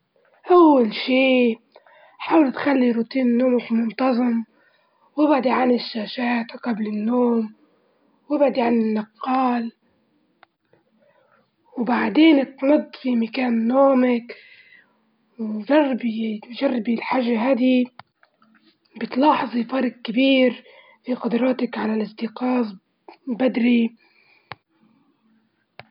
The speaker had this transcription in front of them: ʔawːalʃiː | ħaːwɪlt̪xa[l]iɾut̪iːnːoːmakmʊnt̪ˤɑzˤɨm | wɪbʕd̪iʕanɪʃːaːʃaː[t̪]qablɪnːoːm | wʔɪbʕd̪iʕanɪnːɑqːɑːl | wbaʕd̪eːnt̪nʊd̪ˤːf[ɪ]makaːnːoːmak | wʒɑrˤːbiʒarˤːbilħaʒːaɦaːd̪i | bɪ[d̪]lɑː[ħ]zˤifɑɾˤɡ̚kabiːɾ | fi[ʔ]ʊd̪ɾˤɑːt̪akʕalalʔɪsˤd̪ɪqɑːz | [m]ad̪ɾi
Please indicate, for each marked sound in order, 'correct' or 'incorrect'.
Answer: incorrect, correct, incorrect, incorrect, correct, incorrect, incorrect

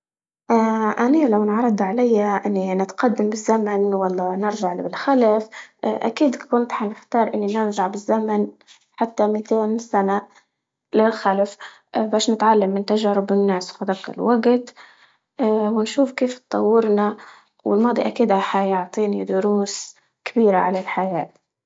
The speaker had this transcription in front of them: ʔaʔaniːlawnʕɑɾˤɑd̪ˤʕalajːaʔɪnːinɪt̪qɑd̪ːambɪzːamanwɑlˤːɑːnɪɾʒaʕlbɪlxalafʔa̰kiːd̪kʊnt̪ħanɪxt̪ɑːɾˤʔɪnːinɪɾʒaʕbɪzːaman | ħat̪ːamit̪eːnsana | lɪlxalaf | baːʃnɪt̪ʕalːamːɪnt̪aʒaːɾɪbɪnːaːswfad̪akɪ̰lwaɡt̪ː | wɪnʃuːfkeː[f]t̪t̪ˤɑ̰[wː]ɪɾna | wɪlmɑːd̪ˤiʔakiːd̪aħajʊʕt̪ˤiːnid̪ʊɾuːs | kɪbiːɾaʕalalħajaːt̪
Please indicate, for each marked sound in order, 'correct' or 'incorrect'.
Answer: correct, correct

